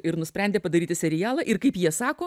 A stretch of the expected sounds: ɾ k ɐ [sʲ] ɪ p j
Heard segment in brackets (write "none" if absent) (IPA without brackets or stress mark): none